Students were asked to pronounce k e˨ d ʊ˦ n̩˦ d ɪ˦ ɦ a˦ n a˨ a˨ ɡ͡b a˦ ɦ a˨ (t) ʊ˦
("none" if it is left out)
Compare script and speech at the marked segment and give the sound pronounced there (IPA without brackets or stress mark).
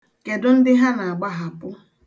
p